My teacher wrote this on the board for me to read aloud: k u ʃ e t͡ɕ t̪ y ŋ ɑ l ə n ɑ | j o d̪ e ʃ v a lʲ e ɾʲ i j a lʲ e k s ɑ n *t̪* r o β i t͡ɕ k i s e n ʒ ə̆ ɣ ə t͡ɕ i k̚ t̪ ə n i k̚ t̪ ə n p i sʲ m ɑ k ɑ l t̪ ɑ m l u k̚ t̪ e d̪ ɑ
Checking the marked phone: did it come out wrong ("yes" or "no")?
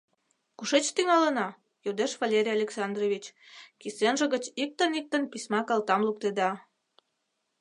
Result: yes